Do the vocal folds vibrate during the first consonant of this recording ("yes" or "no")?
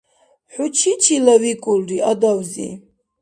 no